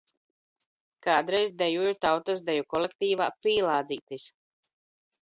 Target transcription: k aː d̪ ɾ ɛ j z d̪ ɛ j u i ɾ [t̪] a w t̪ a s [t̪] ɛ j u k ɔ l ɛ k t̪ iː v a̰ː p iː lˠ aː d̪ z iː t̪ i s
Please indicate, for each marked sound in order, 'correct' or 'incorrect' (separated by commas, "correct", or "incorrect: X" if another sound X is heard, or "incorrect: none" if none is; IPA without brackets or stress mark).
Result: correct, incorrect: d̪